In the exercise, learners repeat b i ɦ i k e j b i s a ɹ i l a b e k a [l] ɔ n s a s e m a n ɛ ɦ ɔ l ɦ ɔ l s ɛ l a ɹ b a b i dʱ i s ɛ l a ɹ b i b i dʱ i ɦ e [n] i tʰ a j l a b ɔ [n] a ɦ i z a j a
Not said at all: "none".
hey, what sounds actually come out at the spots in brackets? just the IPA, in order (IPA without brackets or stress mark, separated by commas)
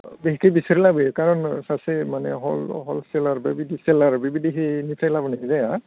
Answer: ɹ, n, n